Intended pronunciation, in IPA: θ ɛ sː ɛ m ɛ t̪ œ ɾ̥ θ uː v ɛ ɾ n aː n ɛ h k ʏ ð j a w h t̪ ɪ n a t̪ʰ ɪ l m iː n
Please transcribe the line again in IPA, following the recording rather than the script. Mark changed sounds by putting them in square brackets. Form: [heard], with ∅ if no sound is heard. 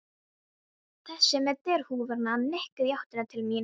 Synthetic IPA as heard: θ ɛ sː ɛ m ɛ t̪ [ɛ] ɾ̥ [h] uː v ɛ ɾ n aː n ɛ h k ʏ ð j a w h t̪ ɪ n a t̪ʰ ɪ l m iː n